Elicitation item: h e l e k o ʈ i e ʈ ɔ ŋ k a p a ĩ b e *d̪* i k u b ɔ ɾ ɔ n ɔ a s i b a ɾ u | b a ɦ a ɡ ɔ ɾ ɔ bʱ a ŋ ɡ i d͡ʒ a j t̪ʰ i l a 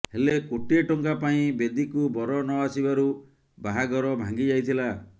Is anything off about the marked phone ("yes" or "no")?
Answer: no